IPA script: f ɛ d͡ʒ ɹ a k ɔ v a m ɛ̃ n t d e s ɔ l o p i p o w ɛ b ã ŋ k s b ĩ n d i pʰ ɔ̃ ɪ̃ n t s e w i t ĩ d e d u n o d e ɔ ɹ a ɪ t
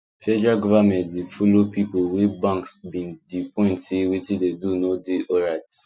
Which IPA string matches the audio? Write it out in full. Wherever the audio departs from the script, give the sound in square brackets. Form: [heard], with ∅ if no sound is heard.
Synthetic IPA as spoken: f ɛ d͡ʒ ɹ a [ɡ] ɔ v a m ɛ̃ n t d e [f] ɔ l o p i p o w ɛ b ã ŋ k s b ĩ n d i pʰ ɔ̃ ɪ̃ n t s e w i t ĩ d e d u n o d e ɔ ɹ a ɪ t